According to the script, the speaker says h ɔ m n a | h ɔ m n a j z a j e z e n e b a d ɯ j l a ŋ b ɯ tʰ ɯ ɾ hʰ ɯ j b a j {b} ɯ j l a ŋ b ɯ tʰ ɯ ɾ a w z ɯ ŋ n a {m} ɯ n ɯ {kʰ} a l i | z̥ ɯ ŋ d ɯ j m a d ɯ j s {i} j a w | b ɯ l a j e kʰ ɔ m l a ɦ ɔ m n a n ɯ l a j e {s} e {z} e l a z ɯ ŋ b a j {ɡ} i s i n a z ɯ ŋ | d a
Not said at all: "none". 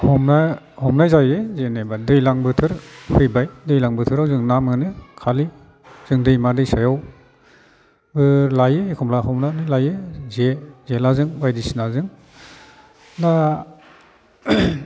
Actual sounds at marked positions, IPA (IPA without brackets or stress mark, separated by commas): d, m, kʰ, a, z, z, d